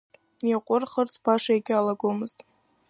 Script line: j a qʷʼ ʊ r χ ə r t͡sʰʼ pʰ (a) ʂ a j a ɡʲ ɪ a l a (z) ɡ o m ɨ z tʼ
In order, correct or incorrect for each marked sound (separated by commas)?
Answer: correct, incorrect